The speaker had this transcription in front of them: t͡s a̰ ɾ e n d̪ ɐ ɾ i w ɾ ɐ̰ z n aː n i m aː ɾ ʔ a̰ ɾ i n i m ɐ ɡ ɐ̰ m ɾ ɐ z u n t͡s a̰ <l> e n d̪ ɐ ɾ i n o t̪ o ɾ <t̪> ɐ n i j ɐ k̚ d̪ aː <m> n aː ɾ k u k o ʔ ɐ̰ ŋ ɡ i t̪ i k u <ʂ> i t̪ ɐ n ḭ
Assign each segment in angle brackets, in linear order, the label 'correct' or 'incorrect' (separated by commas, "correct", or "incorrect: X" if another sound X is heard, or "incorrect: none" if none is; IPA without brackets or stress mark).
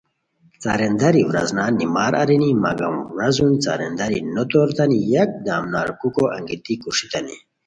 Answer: incorrect: ɾ, correct, correct, correct